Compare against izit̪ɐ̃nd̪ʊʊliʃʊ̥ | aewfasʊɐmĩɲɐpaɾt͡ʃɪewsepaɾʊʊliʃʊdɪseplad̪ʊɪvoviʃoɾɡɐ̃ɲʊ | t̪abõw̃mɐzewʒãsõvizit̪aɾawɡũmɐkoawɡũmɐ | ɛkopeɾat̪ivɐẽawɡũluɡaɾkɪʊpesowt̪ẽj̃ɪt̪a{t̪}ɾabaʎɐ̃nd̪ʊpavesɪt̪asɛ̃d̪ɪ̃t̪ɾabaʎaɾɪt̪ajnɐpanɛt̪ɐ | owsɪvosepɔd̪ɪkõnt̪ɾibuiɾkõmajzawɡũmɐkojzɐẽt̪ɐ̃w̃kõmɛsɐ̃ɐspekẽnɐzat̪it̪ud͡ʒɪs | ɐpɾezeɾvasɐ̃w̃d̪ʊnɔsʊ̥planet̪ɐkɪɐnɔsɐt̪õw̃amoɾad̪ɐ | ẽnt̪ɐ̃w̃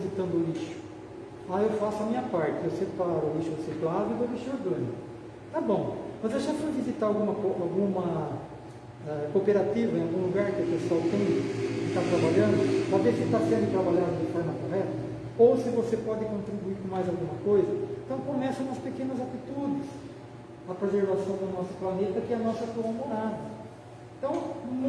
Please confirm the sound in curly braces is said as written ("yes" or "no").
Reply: yes